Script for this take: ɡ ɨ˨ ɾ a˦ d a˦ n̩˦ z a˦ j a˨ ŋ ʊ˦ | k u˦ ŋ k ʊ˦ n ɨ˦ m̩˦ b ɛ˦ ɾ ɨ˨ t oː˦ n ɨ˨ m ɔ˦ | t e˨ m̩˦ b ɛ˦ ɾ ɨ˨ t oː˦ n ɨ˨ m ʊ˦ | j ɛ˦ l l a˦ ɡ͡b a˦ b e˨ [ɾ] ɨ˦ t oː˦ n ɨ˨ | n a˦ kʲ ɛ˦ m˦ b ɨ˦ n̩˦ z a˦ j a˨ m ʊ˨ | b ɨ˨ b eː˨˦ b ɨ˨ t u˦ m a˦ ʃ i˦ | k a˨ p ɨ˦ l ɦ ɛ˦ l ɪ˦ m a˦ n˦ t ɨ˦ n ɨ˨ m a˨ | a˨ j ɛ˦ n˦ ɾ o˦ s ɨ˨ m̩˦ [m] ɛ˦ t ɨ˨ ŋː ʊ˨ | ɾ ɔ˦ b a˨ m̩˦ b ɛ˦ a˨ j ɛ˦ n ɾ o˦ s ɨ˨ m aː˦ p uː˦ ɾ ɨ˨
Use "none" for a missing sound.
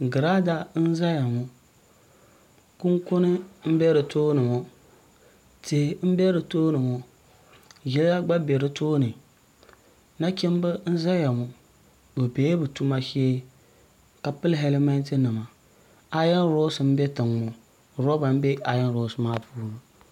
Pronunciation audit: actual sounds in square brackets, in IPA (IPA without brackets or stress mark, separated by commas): ɾ, b